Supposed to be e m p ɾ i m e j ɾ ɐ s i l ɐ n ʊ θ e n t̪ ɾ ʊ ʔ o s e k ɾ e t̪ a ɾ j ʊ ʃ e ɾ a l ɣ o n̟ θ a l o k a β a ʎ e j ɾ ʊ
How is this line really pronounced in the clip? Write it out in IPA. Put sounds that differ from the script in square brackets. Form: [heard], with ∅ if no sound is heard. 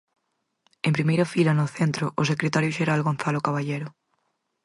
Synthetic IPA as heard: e m p ɾ i m e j ɾ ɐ [f] i l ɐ n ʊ θ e n t̪ ɾ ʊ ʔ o s e k ɾ e t̪ a ɾ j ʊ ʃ e ɾ a l ɣ o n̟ θ a l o k a β a ʎ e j ɾ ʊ